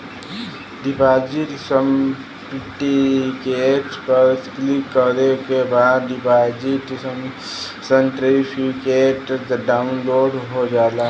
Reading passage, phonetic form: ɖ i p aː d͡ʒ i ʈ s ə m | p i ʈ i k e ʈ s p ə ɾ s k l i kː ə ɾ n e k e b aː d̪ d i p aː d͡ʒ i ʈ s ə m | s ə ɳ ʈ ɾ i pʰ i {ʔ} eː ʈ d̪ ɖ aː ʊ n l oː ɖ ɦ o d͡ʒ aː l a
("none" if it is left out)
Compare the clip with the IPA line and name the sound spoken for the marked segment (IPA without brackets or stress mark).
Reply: k